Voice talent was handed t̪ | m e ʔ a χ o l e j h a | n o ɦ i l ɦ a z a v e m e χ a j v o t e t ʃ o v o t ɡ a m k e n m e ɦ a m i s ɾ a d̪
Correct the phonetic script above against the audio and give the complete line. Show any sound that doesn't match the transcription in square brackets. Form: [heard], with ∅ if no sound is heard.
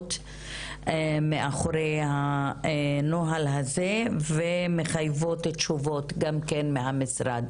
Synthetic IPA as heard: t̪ | m e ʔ a χ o [ɾ] e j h a | n o ɦ [a] l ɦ a z [e] v e m e χ a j v o t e t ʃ [u] v o t ɡ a m k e n m e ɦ a m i s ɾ a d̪